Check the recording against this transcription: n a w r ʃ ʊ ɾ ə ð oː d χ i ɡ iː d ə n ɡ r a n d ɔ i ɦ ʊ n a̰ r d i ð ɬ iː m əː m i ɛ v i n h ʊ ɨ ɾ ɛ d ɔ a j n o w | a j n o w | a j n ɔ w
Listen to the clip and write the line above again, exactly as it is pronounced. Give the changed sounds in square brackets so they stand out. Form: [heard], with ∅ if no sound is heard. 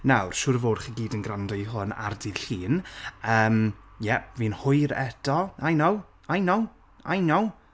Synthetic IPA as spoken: n a w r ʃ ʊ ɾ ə [v] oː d χ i ɡ iː d ə n ɡ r a n d ɔ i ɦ ʊ n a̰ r d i ð ɬ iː [n] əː m [j] ɛ v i n h ʊ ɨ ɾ ɛ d ɔ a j n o w | a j n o w | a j n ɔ w